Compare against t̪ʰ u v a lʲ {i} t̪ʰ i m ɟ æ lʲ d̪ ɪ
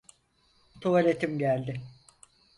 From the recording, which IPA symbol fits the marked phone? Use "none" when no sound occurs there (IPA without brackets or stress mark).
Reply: e